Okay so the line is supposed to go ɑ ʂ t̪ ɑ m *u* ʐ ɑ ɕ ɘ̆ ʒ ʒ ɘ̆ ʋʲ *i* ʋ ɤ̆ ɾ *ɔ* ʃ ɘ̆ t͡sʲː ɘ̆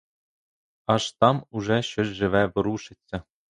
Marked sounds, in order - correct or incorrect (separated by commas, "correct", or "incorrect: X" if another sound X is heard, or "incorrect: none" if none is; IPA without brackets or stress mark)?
correct, incorrect: æ, incorrect: u